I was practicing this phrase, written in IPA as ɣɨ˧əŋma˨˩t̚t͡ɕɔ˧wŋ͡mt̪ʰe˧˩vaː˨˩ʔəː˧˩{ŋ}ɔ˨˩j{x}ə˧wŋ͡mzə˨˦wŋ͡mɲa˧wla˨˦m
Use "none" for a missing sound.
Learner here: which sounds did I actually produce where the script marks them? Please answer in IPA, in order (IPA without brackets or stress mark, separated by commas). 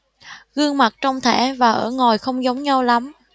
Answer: ŋ, x